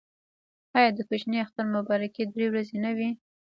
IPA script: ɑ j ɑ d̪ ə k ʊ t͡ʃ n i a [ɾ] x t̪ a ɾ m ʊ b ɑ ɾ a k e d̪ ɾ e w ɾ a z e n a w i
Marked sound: incorrect: none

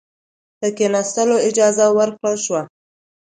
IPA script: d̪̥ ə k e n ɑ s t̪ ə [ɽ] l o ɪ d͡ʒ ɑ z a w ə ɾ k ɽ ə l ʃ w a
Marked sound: incorrect: none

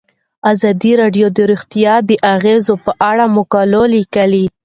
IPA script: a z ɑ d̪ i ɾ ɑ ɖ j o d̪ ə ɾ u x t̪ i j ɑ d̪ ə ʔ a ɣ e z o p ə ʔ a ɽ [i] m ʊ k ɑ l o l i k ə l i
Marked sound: incorrect: a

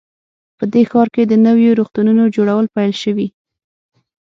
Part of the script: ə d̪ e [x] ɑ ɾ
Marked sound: correct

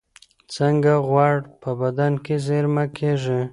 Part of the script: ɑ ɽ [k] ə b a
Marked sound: incorrect: p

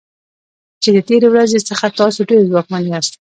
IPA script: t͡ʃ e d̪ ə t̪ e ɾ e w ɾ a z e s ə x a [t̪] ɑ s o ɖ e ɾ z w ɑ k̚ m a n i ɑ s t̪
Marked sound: correct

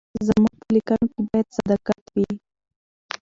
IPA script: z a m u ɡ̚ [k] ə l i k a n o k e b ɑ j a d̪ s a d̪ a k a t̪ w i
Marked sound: incorrect: p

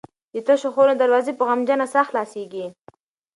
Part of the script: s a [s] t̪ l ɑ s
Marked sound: incorrect: x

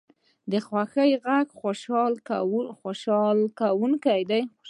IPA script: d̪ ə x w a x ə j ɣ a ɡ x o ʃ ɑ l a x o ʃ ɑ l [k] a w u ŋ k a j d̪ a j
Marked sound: correct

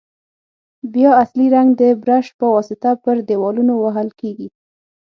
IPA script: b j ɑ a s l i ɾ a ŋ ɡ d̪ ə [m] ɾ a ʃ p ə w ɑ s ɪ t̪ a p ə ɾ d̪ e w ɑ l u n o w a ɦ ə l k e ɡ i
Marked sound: incorrect: b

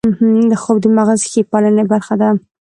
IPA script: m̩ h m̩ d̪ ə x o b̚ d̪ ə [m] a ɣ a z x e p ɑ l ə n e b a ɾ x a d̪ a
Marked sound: correct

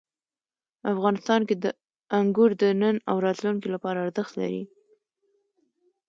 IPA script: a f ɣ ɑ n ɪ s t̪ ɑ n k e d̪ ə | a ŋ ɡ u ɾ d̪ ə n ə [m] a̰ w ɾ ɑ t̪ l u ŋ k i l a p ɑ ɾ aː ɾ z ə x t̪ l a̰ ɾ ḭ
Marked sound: incorrect: n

